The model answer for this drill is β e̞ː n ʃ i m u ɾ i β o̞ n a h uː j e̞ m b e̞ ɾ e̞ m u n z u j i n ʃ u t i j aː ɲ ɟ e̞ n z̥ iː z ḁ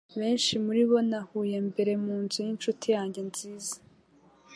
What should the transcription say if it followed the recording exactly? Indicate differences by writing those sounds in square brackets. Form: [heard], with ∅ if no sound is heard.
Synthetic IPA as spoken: β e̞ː n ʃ i m u ɾ i β o̞ n a h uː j e̞ m b e̞ ɾ e̞ m [uː] n z u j i n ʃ u t i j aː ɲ ɟ e̞ n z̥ iː z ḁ